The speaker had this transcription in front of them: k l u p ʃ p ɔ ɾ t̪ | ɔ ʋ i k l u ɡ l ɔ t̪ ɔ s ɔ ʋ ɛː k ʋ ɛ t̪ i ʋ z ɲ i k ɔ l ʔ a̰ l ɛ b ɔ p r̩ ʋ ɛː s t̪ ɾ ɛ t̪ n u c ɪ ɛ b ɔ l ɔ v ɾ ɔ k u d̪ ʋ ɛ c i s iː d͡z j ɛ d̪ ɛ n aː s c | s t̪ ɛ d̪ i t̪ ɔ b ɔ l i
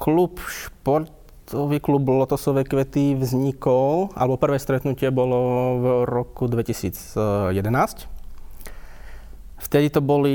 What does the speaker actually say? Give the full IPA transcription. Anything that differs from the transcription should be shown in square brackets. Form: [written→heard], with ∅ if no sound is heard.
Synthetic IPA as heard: k l u p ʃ p ɔ ɾ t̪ | ɔ ʋ i k l u [ɡ→b] l ɔ t̪ ɔ s ɔ ʋ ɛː k ʋ ɛ t̪ i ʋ z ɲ i k ɔ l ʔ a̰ l ɛ b ɔ p r̩ ʋ ɛː s t̪ ɾ ɛ t̪ n u c ɪ ɛ b ɔ l ɔ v ɾ ɔ k u d̪ ʋ ɛ c i s iː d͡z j ɛ d̪ ɛ n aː s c | [s→f] t̪ ɛ d̪ i t̪ ɔ b ɔ l i